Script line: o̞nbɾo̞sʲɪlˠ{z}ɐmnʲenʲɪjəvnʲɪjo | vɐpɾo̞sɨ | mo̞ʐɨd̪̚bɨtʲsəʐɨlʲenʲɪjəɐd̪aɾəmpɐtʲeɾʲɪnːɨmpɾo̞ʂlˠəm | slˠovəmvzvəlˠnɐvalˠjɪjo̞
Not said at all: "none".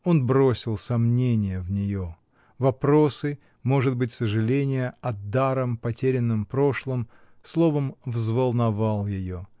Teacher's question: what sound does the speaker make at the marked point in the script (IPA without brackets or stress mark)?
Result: s